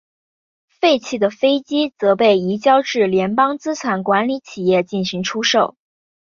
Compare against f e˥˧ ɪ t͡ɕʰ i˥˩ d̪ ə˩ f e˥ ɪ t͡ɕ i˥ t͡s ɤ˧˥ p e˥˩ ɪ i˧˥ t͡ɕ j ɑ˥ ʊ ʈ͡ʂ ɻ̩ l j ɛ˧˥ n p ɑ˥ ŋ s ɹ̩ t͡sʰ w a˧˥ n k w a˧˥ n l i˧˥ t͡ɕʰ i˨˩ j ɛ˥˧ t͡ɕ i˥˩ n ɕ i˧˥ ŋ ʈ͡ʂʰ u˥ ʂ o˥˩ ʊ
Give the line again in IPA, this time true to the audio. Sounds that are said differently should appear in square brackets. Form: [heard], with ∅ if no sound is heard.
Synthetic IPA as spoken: f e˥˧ ɪ t͡ɕʰ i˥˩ d̪ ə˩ f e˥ ɪ t͡ɕ i˥ t͡s ɤ˧˥ p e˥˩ ɪ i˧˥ t͡ɕ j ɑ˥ ʊ ʈ͡ʂ ɻ̩ l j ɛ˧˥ n p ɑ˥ ŋ [t͡s] ɹ̩ t͡sʰ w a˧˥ n k w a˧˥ n l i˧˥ t͡ɕʰ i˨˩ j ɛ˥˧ t͡ɕ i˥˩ n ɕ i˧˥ ŋ ʈ͡ʂʰ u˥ ʂ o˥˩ ʊ